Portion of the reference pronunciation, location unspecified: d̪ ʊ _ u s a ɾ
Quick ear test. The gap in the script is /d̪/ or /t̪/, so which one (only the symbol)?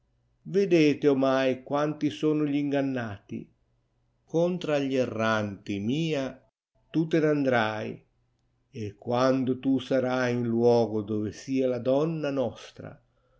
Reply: t̪